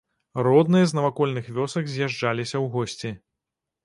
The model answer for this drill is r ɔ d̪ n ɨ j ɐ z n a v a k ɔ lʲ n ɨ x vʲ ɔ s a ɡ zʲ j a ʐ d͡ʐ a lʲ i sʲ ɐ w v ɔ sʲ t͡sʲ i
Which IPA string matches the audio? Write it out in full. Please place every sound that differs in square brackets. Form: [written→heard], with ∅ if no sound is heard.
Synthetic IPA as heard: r ɔ d̪ n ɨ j ɐ z n [a→ɐ] v a k ɔ lʲ n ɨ x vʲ ɔ s [a→ɐ] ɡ zʲ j a ʐ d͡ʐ a lʲ i sʲ ɐ w [v→ɣ] ɔ sʲ t͡sʲ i